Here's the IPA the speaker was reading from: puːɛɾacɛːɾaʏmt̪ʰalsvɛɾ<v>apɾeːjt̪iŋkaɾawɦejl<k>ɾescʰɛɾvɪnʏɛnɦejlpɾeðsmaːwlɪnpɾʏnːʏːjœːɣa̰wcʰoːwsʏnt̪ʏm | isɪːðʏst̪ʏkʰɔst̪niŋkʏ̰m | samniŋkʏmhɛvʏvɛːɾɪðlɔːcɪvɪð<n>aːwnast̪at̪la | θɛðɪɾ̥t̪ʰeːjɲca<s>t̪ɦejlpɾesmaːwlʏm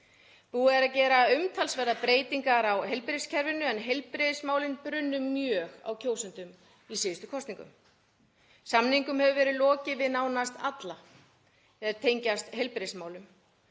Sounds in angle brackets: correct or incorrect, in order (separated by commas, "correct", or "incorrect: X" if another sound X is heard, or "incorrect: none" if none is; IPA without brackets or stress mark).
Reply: incorrect: ð, incorrect: p, correct, correct